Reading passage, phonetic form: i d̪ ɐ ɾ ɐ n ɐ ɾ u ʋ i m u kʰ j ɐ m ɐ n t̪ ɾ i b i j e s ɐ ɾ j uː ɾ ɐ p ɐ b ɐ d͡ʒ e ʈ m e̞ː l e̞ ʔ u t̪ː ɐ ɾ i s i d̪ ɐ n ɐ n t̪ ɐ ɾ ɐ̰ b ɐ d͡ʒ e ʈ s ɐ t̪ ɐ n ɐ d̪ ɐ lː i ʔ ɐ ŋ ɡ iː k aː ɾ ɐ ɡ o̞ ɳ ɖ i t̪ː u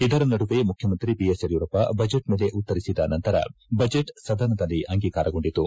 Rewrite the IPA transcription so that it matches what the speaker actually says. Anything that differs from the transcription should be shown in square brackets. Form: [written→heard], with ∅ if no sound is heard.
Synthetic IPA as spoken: i d̪ ɐ ɾ ɐ n ɐ [ɾ→ɽ] u ʋ [i→e] m u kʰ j ɐ m ɐ n t̪ ɾ i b i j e s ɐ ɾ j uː ɾ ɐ p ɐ b ɐ d͡ʒ e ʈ m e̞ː l e̞ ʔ u t̪ː ɐ ɾ i s i d̪ ɐ n ɐ n t̪ ɐ ɾ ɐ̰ b ɐ d͡ʒ e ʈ s ɐ [t̪→d̪] ɐ n ɐ d̪ ɐ lː i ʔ ɐ ŋ ɡ iː k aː ɾ ɐ ɡ o̞ ɳ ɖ i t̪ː u